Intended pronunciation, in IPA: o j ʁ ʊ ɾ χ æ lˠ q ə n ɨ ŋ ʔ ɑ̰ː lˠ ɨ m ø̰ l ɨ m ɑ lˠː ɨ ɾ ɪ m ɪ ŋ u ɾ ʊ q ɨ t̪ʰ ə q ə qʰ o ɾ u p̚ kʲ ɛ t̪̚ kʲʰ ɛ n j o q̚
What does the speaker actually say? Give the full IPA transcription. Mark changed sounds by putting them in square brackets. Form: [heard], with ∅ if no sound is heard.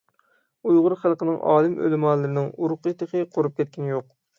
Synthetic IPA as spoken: [u] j ʁ ʊ ɾ χ æ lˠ q ə n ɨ ŋ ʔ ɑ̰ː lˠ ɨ m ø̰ l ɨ m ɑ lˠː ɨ ɾ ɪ [n] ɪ ŋ u ɾ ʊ q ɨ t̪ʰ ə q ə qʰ o ɾ u p̚ kʲ ɛ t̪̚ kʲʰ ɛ n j o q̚